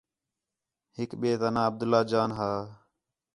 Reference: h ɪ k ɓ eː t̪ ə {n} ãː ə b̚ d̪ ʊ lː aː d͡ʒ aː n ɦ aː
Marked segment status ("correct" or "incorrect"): correct